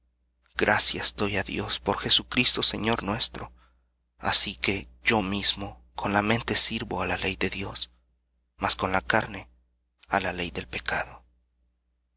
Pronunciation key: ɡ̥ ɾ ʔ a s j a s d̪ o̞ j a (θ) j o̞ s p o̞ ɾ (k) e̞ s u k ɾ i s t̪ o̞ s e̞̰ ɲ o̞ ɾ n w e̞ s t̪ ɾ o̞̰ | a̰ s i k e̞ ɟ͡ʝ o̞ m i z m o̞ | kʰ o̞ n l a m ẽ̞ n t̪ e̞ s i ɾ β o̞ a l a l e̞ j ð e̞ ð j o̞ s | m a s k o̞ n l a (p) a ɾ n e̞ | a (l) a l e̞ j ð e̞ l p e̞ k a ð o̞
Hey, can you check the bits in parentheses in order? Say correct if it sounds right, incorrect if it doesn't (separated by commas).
incorrect, incorrect, incorrect, correct